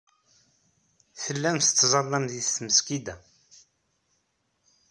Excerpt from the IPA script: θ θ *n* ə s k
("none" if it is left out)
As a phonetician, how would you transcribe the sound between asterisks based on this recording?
m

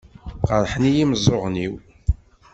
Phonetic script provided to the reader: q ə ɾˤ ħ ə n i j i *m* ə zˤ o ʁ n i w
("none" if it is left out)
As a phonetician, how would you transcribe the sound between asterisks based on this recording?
m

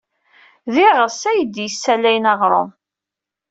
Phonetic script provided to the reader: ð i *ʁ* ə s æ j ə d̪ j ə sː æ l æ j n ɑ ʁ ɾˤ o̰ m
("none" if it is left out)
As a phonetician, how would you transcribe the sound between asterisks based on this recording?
ʁ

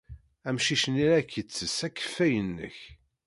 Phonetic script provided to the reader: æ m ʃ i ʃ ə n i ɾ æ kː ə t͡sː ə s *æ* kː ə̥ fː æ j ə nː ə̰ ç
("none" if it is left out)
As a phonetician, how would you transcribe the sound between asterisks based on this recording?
æ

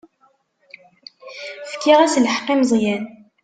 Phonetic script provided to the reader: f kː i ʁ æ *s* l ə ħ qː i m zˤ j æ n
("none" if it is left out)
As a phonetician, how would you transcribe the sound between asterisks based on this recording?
s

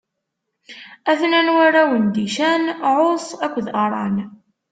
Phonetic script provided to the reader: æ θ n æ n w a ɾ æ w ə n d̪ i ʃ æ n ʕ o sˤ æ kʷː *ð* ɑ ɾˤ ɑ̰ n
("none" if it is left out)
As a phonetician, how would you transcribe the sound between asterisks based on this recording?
ð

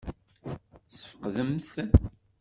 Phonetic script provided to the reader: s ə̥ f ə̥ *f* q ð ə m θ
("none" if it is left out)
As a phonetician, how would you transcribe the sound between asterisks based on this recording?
none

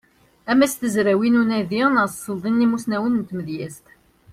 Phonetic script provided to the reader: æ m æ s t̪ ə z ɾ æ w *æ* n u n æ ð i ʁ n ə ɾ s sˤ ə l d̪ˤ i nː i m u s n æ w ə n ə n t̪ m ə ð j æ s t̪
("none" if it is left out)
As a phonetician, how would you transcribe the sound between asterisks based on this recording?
i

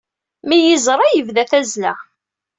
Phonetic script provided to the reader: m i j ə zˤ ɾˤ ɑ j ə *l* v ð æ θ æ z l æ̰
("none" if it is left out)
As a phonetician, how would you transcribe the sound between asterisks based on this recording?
none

